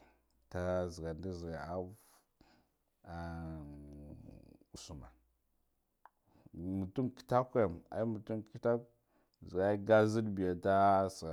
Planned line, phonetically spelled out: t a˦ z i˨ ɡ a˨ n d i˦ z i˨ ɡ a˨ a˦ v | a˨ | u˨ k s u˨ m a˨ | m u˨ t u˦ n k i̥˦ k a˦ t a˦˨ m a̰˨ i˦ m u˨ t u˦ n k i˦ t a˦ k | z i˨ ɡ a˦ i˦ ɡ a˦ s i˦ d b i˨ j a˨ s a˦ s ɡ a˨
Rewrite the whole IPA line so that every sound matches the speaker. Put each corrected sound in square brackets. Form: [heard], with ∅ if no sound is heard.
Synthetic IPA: t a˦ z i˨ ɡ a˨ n d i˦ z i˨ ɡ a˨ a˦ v | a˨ | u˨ [∅] s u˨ m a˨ | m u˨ t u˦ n k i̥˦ [t] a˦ [k] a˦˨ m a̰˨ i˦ m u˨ t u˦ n k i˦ t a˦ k | z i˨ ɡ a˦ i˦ ɡ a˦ [z] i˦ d b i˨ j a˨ [t] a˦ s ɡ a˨